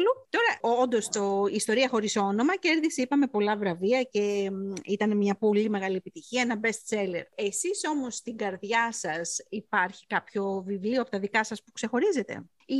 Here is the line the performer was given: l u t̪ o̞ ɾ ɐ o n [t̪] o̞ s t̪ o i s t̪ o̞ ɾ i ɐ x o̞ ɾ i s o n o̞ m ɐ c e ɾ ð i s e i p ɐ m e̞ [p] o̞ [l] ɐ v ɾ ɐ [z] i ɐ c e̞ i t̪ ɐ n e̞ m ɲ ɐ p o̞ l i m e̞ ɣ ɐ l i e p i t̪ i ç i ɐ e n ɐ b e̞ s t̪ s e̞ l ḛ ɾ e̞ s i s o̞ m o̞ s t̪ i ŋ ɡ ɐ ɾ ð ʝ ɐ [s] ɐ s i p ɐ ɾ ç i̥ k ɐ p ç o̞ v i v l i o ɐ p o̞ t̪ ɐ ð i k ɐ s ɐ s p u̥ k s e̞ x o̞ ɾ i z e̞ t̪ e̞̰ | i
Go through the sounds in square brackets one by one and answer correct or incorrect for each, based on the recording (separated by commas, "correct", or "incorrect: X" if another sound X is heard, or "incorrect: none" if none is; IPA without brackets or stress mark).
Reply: incorrect: d̪, correct, correct, incorrect: v, correct